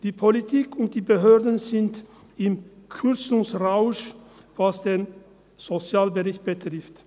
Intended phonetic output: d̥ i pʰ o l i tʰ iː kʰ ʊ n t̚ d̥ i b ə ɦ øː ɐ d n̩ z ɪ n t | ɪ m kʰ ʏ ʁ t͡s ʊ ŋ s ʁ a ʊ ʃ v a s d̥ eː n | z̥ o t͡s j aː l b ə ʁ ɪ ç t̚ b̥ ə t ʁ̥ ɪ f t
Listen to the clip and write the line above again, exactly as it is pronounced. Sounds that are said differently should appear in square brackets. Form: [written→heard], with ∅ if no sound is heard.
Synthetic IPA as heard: d̥ [i→iː] pʰ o l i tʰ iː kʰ ʊ n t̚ d̥ [i→iː] b ə ɦ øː ɐ d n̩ z ɪ n t | ɪ m kʰ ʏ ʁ t͡s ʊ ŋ s ʁ a ʊ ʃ v a s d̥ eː n | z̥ o t͡s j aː l b ə ʁ ɪ ç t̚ b̥ ə t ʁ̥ ɪ f t

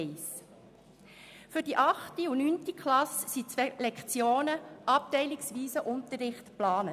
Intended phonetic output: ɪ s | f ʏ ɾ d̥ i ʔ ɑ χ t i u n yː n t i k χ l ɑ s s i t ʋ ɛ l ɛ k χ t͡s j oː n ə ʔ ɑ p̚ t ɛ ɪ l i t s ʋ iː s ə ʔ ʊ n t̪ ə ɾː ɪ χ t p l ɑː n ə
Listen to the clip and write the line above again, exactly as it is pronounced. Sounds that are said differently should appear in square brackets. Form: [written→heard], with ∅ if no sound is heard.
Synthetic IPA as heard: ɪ s | f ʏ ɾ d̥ i ʔ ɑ χ t i u n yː n t i k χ l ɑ s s i [t→t͡s] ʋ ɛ l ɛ k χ t͡s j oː n ə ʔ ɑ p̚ t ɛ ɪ l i [t→k] s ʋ iː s ə ʔ ʊ n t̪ ə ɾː ɪ χ t p l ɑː n ə

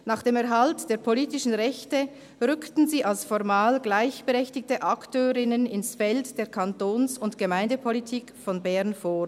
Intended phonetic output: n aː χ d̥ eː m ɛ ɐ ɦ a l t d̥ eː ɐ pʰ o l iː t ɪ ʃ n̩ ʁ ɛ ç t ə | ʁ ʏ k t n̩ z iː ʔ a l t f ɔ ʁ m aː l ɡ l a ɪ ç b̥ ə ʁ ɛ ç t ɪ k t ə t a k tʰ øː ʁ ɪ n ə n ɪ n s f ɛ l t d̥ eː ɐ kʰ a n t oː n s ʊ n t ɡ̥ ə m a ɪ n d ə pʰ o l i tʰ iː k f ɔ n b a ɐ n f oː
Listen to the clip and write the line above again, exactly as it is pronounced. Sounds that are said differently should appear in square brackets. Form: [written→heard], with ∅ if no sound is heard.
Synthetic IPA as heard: n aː χ d̥ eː m ɛ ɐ ɦ a l t d̥ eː ɐ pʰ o l iː t ɪ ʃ n̩ ʁ ɛ ç t ə | ʁ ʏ k t n̩ z iː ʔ a l [t→s] f ɔ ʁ m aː l ɡ l a ɪ ç b̥ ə ʁ ɛ ç t ɪ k t ə [t→ʔ] a k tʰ øː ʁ ɪ n ə n ɪ n s f ɛ l t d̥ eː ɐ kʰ a n t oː n s ʊ n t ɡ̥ ə m a ɪ n d ə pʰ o l i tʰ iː k f ɔ n b [a→ɛ] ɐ n f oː

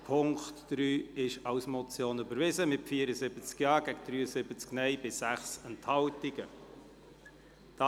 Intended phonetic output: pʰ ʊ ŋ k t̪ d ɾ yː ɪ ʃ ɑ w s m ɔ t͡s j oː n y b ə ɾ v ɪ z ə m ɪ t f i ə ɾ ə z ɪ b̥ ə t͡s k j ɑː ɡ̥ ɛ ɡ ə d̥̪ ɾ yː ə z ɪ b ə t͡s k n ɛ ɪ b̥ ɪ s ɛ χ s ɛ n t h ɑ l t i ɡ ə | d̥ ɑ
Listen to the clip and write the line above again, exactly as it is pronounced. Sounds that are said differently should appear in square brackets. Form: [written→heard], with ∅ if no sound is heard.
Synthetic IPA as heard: pʰ ʊ ŋ k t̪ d ɾ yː ɪ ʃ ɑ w s m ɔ t͡s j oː n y b ə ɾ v ɪ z ə m ɪ t f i ə ɾ ə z ɪ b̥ ə t͡s k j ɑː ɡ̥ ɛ ɡ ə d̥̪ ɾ yː ə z ɪ b ə t͡s k n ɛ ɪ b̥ ɪ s [ɛ→æ] χ s ɛ n t h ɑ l t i ɡ ə | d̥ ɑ

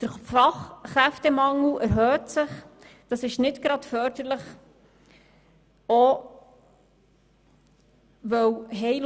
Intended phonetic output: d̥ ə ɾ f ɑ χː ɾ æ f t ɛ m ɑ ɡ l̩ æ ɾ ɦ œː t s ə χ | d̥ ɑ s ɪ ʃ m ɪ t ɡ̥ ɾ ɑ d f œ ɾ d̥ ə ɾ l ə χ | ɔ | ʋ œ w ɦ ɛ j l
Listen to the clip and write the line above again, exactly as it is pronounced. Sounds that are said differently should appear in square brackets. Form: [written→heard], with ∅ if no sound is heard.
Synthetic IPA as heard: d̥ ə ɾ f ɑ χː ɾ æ f t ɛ m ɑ [ɡ→ŋ] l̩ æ ɾ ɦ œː t s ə χ | d̥ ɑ s ɪ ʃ [m→n] ɪ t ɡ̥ ɾ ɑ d f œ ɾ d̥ ə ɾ l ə χ | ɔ | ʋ œ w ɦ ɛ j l

